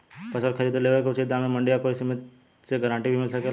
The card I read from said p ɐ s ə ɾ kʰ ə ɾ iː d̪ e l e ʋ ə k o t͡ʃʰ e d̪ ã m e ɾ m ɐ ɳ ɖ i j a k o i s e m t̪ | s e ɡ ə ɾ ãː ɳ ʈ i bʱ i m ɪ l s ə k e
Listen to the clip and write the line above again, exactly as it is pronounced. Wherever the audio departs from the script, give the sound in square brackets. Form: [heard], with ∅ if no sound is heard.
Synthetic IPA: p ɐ s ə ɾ kʰ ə ɾ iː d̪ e l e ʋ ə k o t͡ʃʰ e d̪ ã m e [∅] m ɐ ɳ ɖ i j a k o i s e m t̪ | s e ɡ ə ɾ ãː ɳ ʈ i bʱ i m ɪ l s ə k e